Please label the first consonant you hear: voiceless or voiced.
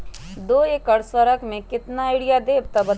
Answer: voiced